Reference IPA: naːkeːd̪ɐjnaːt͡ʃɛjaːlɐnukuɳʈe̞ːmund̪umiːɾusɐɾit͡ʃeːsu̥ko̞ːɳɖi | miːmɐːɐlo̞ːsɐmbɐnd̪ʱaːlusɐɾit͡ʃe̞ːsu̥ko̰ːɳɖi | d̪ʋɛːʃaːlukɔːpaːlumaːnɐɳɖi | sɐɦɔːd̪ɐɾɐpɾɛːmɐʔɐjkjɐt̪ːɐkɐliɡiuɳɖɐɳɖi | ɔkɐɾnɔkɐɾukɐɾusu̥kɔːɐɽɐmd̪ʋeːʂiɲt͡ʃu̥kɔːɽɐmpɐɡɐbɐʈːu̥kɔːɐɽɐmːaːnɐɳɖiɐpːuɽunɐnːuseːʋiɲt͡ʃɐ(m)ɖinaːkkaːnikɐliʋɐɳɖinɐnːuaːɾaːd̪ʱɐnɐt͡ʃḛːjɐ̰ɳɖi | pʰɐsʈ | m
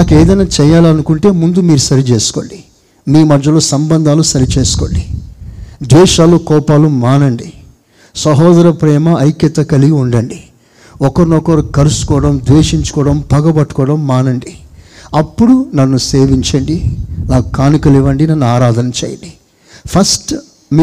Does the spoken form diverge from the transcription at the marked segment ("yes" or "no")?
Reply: yes